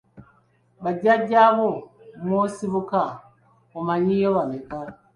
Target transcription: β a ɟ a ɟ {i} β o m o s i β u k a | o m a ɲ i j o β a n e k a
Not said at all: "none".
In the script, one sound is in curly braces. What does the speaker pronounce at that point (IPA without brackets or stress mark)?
a